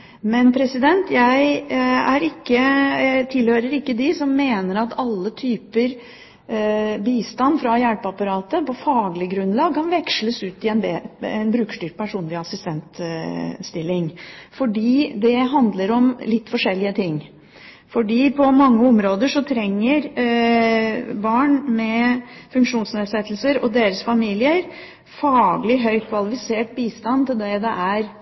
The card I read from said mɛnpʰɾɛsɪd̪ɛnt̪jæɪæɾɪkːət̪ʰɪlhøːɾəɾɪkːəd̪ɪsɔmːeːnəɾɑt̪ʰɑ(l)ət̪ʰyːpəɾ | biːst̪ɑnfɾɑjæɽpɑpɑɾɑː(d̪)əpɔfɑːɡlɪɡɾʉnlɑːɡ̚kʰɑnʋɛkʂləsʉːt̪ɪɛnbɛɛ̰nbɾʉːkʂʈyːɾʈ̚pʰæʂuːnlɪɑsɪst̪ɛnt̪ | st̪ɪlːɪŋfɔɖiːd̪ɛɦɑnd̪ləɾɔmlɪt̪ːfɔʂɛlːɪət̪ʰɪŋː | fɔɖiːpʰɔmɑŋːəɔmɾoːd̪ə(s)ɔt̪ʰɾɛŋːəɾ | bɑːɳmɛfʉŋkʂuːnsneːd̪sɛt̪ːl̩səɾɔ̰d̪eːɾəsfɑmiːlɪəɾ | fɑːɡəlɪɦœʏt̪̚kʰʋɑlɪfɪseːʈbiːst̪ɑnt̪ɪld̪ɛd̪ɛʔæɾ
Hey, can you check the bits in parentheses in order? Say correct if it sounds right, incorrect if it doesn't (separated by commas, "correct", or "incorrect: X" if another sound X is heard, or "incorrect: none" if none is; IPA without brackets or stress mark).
incorrect: lː, incorrect: t̪, incorrect: ʂ